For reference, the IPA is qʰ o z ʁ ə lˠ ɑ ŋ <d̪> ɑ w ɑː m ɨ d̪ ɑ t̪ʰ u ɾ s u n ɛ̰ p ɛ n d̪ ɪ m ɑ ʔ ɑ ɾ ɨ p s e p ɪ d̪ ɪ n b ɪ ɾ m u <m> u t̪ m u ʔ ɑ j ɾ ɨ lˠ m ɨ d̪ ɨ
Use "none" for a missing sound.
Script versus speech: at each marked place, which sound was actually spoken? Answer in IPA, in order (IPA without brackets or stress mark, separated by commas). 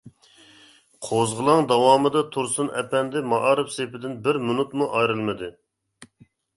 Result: d̪, n